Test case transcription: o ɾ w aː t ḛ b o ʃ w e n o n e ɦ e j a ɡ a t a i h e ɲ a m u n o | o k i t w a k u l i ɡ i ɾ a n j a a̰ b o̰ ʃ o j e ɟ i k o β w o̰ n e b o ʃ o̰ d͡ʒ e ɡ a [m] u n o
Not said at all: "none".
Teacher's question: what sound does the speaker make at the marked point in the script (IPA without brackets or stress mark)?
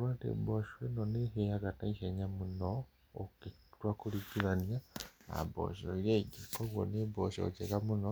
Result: m